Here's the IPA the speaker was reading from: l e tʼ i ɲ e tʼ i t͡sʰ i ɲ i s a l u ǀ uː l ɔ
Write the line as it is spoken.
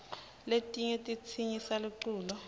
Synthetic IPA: l e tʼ i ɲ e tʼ i t͡sʰ i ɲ i s a l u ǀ uː l ɔ